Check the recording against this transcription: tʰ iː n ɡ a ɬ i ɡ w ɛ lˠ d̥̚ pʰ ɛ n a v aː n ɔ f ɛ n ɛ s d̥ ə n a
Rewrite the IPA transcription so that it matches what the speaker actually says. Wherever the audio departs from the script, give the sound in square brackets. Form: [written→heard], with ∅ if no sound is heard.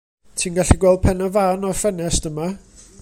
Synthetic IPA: tʰ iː n ɡ a ɬ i ɡ w ɛ lˠ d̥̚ pʰ ɛ n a v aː n ɔ f ɛ n ɛ s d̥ ə [n→m] a